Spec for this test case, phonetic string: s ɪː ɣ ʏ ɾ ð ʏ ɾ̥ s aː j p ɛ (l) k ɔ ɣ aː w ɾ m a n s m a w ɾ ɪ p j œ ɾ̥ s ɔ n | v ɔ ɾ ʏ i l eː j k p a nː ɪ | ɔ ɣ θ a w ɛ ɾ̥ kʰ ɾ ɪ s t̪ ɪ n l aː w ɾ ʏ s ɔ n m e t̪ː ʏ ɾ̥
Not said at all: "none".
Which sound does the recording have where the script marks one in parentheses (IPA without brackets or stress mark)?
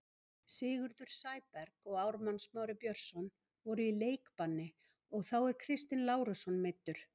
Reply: ɾ